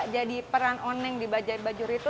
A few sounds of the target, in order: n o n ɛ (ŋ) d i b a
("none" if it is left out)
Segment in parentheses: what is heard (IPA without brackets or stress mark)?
ŋ